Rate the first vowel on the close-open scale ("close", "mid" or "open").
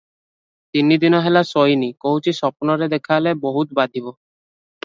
close